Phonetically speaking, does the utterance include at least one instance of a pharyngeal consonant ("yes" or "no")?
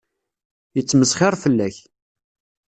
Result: no